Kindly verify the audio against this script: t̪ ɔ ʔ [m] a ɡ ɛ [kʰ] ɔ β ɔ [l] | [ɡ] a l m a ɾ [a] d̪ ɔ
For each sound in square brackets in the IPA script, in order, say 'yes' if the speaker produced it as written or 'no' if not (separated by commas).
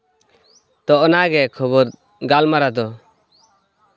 no, yes, no, yes, yes